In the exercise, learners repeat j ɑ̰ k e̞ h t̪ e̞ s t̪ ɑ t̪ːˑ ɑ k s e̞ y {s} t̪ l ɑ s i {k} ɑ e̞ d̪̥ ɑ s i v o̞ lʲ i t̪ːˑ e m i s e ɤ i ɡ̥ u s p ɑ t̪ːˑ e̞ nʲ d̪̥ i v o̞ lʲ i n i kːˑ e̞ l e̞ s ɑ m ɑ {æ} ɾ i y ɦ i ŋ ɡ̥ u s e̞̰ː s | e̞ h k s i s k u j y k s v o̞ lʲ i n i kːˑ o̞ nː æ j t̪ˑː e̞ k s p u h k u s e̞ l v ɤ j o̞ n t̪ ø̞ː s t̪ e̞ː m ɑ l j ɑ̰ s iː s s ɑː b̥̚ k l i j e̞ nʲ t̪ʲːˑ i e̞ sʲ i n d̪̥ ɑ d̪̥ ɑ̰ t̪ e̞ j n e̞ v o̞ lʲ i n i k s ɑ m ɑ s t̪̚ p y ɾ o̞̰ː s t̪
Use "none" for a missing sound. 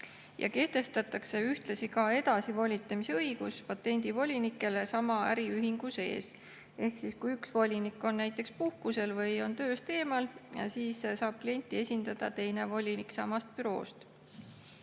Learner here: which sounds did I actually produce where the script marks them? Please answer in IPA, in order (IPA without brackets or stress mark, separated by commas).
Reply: h, k, æ